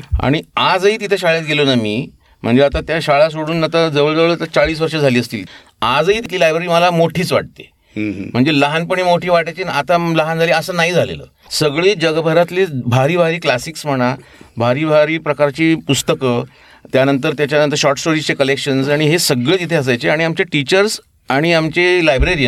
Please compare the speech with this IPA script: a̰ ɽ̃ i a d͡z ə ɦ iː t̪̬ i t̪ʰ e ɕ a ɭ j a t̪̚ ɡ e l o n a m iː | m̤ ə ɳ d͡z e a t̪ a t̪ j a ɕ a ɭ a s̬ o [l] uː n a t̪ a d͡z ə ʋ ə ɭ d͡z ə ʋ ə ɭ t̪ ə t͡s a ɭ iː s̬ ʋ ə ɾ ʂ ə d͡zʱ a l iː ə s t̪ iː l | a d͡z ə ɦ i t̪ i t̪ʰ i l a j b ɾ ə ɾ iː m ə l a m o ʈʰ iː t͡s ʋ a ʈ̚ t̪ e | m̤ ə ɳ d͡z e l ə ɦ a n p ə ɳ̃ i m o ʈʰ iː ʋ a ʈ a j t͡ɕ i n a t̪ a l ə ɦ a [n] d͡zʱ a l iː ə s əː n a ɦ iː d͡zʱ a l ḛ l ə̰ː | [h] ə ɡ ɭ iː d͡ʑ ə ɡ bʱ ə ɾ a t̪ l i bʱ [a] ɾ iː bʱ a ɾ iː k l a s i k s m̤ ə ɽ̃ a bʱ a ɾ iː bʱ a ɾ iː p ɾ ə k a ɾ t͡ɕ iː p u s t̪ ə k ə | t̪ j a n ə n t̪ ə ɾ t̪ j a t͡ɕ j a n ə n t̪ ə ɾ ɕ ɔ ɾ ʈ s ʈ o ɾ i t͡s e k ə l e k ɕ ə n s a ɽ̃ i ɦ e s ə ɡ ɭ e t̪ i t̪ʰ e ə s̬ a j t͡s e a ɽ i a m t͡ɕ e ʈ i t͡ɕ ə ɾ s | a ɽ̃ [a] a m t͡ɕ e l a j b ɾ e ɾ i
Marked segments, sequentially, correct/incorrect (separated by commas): incorrect, correct, incorrect, correct, incorrect